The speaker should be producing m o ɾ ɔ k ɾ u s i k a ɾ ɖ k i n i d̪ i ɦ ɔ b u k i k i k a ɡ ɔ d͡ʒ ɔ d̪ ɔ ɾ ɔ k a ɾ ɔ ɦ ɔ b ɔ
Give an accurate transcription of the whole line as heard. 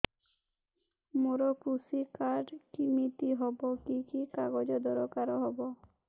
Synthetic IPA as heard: m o ɾ ɔ k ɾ u s i k a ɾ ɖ k i m i t̪ i ɦ ɔ b ɔ k i k i k a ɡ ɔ d͡ʒ ɔ d̪ ɔ ɾ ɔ k a ɾ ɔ ɦ ɔ b ɔ